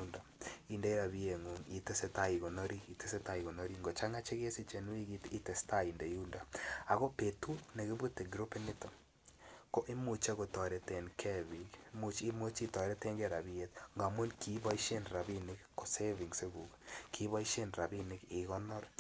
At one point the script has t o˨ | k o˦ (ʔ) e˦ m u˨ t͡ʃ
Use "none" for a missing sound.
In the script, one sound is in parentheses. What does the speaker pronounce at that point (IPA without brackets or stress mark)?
ʔ